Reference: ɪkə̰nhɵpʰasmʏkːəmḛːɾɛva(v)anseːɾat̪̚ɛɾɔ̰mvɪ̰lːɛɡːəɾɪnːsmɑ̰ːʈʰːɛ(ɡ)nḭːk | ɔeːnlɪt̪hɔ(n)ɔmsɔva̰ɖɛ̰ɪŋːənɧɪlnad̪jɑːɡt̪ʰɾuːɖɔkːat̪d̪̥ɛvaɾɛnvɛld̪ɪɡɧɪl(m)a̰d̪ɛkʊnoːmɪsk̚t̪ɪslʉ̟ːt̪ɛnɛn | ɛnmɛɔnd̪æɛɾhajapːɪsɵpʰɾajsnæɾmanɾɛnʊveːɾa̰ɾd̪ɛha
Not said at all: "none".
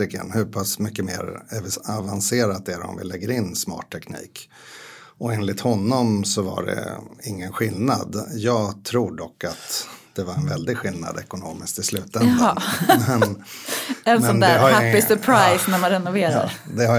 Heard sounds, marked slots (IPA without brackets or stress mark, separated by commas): v, k, nː, n